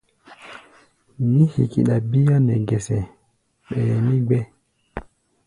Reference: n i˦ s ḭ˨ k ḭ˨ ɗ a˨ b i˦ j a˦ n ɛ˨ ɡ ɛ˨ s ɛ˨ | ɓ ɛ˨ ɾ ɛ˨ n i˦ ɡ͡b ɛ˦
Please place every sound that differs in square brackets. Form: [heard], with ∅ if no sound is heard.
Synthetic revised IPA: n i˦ [h] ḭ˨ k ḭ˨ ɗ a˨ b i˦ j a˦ n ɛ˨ ɡ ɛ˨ s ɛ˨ | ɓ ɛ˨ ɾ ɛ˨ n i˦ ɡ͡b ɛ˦